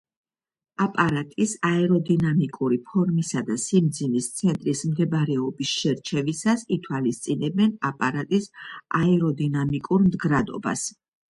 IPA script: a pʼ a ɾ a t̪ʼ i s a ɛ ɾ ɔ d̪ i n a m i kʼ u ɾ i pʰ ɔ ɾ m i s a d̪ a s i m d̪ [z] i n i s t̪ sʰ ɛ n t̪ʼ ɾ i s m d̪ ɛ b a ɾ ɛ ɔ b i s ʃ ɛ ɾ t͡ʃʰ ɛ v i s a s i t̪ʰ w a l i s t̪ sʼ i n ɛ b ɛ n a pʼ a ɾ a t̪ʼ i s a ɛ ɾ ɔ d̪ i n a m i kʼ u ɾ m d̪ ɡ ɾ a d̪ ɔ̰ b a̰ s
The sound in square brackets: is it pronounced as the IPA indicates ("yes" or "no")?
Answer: yes